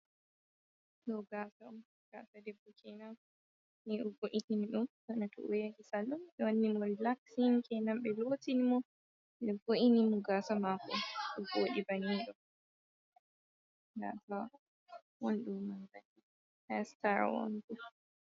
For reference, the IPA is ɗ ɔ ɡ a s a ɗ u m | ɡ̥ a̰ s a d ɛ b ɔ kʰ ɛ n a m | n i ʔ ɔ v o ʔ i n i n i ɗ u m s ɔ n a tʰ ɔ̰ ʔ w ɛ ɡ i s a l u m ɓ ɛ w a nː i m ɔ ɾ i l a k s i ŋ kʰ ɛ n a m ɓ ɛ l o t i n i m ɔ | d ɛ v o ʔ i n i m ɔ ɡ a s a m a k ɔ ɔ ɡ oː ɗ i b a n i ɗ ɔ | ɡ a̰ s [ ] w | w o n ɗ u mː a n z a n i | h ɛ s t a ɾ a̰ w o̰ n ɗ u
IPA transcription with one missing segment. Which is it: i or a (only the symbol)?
a